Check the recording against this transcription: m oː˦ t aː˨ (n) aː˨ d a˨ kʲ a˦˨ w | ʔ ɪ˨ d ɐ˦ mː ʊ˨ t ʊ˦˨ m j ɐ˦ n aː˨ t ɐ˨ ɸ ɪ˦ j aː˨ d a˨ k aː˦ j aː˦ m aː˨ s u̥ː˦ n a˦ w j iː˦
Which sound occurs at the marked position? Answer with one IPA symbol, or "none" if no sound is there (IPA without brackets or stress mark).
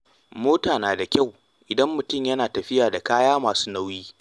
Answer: n